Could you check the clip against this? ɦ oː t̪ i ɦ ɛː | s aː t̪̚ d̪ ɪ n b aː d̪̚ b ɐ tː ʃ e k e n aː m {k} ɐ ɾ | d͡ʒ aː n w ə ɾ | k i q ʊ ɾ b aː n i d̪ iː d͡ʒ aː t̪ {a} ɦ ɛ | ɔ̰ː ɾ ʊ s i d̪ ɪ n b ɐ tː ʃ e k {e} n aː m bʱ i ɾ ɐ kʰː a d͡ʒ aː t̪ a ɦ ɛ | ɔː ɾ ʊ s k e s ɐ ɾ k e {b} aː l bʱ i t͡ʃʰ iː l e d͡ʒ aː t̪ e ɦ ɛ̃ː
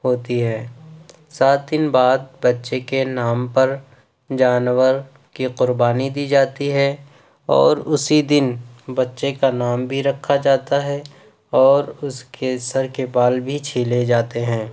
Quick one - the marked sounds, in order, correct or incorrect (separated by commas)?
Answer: incorrect, incorrect, incorrect, correct